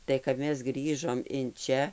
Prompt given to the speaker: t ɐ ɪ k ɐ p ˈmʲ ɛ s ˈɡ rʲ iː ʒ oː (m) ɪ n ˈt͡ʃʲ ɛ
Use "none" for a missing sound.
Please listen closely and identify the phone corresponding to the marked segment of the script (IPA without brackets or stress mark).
m